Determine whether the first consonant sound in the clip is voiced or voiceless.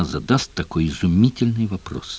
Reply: voiced